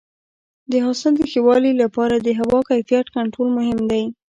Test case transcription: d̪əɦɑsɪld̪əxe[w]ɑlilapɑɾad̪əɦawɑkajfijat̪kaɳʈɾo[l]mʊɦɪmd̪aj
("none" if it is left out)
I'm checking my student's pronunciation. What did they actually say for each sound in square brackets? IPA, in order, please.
w, l

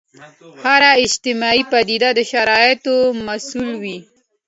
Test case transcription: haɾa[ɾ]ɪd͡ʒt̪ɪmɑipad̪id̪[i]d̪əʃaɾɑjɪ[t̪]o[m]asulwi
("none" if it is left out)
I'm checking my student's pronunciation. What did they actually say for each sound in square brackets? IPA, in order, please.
none, a, t̪, m

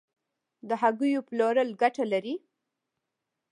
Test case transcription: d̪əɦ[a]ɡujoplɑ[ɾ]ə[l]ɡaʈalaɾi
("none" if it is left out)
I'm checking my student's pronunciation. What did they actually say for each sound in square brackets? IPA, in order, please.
a, ɾ, l

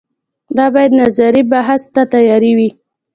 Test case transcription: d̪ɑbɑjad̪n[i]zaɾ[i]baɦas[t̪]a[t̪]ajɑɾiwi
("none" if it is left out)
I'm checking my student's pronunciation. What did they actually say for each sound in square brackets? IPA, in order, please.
a, i, t̪, t̪

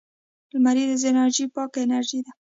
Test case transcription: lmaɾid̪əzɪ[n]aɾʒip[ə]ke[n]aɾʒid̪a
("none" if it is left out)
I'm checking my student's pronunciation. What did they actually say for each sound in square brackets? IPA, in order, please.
n, ɑ, n

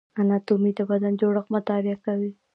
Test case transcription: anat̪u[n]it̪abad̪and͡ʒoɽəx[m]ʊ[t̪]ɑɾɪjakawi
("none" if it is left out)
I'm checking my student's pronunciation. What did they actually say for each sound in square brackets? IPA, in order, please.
m, m, t̪

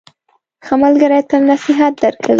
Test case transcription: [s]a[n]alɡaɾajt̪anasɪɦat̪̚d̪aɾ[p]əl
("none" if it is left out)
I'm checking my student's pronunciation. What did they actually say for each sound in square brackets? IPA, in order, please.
x, m, k

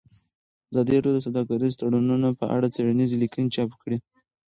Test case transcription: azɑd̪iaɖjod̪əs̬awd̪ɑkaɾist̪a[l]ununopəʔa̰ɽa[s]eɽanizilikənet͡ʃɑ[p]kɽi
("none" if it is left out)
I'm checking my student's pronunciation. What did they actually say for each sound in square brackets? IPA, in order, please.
ɽ, t͡s, p

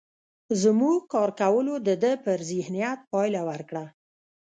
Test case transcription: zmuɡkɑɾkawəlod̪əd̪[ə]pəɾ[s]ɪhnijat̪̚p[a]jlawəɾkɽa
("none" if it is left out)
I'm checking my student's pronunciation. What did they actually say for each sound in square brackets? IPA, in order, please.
ə, z, ɑ

